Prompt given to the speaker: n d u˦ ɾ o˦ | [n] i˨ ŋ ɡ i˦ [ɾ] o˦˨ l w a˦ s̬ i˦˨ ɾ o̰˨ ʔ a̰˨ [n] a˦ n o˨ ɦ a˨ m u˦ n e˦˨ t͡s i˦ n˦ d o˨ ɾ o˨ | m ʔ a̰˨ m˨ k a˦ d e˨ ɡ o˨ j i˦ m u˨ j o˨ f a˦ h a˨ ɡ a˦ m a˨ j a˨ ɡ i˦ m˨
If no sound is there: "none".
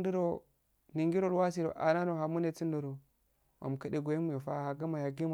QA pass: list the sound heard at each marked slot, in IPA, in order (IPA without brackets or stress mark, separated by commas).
n, ɾ, n